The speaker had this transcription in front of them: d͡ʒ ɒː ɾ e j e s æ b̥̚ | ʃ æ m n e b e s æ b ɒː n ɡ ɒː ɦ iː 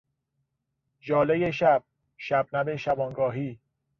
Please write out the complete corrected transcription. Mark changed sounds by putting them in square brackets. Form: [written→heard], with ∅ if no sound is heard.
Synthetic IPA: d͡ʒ ɒː [ɾ→l] e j e [s→ʃ] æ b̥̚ | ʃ æ [m→b] n [e→æ] b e [s→ʃ] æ b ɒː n ɡ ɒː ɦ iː